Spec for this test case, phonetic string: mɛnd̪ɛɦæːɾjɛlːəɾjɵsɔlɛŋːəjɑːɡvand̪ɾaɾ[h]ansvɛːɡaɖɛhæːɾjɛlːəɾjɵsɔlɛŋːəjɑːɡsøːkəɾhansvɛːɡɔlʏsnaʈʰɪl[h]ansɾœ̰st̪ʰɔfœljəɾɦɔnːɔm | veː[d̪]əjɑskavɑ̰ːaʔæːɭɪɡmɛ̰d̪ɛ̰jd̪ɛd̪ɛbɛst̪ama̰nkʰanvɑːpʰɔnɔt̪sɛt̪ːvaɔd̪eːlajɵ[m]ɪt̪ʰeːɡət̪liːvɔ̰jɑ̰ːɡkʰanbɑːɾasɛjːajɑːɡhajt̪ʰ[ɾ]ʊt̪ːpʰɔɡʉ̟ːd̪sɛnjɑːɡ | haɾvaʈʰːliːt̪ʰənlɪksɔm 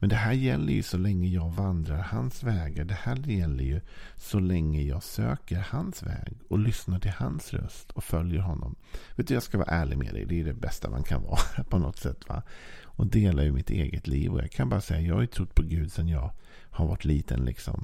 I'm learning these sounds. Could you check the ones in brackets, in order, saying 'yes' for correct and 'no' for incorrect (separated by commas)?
yes, yes, no, yes, yes